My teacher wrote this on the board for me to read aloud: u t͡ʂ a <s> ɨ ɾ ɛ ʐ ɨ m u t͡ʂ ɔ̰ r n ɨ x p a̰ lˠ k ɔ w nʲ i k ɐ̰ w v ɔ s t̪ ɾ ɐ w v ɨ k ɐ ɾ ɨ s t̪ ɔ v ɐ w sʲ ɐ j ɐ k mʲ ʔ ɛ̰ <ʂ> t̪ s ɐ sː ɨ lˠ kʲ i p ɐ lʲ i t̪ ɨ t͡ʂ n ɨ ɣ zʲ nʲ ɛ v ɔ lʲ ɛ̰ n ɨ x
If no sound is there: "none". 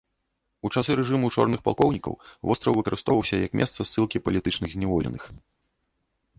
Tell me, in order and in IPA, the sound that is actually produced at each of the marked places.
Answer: s, s

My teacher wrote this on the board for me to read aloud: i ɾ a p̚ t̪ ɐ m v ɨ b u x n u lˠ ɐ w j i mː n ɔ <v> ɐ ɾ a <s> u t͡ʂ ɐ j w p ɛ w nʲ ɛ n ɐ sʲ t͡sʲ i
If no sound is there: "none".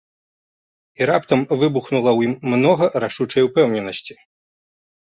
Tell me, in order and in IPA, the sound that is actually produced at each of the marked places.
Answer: ɣ, ʂ

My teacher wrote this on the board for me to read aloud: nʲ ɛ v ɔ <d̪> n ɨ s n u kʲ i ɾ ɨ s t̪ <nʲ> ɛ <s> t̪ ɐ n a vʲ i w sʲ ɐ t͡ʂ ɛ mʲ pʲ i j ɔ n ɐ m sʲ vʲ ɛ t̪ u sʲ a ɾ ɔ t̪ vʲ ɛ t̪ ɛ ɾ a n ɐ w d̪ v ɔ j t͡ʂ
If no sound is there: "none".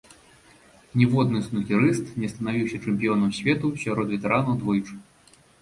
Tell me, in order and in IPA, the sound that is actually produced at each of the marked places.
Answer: d̪, nʲ, s

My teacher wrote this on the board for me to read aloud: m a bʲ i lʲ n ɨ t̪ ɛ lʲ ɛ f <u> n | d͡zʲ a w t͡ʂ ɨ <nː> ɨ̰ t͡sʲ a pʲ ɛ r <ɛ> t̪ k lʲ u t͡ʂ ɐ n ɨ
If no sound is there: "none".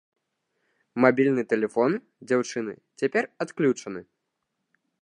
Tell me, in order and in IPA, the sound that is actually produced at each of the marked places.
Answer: ɔ, n, a

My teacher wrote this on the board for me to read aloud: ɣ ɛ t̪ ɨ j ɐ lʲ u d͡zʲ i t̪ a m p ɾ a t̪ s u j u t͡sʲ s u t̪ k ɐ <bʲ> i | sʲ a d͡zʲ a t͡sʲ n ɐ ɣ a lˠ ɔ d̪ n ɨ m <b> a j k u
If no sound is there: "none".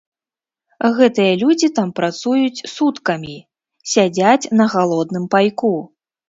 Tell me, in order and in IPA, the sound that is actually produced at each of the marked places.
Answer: mʲ, p

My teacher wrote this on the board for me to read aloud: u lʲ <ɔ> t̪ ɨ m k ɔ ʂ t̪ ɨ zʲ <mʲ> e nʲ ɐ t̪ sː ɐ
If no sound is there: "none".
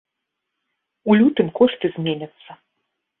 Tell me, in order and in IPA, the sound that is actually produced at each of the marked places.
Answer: u, mʲ

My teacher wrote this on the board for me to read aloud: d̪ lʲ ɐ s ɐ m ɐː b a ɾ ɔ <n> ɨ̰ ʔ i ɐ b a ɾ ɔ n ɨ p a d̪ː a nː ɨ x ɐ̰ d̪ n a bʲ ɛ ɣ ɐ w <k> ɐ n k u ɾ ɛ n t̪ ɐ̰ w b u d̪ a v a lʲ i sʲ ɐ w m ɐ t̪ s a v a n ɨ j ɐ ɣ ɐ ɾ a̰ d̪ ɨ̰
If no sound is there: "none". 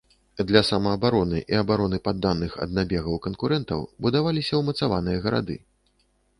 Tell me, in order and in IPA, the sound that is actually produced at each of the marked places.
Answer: n, k

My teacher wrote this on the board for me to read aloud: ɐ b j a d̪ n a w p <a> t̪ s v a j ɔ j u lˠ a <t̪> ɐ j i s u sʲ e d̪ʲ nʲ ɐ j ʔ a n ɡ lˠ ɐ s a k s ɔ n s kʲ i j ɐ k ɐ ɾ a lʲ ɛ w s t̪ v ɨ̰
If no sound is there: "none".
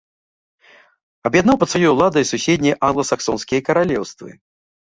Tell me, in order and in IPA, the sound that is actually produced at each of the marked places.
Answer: ɐ, d̪

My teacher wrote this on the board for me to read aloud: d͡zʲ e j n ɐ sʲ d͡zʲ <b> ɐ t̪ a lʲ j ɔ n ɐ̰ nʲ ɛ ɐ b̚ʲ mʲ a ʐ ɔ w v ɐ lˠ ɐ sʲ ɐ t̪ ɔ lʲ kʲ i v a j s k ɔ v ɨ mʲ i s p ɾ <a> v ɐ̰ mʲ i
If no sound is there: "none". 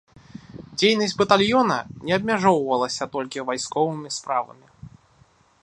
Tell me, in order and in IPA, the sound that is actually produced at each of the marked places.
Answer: b, a

